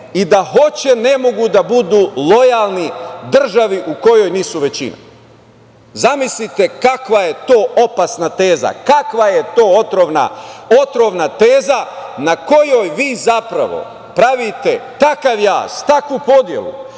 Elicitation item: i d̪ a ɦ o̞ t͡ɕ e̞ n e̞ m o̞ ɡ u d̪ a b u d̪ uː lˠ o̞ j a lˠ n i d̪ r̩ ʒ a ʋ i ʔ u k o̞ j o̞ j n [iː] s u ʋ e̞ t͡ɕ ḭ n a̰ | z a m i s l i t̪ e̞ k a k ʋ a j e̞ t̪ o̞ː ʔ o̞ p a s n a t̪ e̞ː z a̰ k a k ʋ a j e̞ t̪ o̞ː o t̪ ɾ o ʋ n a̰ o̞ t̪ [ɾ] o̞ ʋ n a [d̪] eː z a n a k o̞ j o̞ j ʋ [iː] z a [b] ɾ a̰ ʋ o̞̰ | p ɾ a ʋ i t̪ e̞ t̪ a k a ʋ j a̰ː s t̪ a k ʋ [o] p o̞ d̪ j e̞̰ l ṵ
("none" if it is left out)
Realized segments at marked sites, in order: iː, ɾ, t̪, iː, p, u

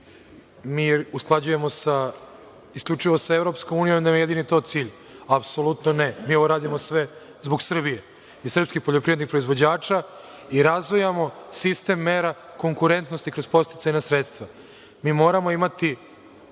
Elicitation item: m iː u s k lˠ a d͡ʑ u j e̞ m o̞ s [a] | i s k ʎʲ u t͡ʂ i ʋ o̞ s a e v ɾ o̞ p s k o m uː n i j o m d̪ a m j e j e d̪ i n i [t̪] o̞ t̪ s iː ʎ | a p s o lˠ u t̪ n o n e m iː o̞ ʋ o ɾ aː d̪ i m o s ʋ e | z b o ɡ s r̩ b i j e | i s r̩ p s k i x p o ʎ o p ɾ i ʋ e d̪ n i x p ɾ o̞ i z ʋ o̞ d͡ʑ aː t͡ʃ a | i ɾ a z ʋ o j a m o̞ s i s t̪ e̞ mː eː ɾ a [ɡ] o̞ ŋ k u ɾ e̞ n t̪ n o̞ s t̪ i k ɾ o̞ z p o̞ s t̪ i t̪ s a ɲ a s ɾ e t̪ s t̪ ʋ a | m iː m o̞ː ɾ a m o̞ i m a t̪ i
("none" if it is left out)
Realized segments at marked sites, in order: a, t̪, k

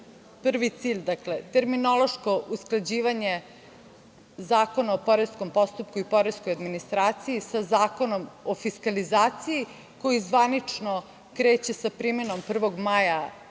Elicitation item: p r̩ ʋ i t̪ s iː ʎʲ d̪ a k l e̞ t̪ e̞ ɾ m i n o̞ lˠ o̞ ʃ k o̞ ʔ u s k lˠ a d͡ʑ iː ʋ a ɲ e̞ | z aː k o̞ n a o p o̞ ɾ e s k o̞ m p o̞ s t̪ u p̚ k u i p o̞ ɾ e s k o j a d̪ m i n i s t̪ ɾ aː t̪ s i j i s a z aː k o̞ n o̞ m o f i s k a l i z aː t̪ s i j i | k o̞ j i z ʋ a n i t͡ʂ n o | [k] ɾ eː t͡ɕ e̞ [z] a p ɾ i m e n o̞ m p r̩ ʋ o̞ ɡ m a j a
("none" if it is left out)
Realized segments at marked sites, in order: k, s

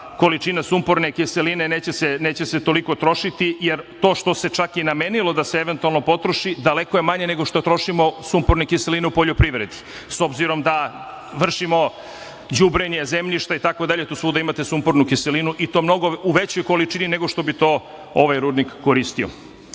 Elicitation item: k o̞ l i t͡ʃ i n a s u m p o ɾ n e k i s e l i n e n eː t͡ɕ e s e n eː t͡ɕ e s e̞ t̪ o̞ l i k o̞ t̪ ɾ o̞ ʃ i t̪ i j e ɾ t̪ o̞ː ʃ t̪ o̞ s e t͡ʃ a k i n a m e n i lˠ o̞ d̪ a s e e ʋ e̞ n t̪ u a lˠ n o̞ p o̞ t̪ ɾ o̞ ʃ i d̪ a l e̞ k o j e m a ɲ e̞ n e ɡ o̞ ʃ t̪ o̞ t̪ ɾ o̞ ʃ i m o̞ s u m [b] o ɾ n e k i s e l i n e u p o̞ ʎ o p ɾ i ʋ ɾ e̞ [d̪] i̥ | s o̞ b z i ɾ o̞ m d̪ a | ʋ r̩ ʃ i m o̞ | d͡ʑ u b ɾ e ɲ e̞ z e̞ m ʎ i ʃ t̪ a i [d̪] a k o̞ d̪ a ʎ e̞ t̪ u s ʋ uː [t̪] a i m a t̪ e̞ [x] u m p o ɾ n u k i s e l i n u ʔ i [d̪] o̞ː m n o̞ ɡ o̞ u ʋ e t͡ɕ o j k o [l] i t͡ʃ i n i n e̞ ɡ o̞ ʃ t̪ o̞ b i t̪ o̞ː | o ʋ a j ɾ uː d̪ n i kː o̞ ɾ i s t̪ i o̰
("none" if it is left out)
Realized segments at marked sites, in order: p, d̪, t̪, d̪, s, t̪, l

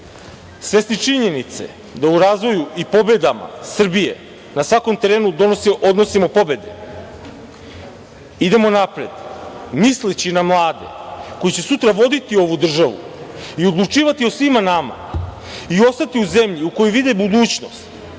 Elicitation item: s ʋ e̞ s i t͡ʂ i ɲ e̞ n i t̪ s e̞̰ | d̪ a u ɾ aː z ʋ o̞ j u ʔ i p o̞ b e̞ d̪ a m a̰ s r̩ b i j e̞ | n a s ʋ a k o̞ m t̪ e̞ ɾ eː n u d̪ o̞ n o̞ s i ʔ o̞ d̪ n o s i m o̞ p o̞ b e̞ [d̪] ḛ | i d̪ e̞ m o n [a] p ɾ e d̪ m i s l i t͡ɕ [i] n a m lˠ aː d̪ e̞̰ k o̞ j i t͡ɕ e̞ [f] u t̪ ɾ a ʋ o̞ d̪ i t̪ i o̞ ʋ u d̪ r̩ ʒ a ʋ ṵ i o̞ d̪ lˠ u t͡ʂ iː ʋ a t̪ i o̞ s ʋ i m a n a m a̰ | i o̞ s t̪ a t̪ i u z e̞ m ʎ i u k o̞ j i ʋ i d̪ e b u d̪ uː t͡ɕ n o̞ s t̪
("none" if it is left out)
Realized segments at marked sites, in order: d̪, a, i, s

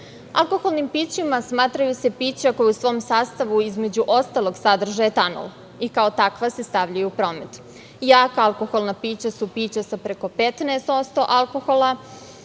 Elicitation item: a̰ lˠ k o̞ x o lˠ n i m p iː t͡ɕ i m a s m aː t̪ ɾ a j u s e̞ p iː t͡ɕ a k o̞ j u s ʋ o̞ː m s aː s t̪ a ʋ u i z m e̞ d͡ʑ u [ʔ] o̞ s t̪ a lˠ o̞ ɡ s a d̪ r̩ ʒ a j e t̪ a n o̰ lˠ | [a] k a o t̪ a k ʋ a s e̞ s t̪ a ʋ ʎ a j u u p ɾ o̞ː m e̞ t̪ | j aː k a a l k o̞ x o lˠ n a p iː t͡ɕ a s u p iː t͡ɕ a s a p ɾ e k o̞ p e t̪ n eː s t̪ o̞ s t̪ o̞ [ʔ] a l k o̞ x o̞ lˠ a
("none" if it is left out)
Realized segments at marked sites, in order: ʔ, i, ʔ

